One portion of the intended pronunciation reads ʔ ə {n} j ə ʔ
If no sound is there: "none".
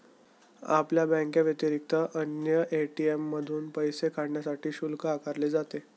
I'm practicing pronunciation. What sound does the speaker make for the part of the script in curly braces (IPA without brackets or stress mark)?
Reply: n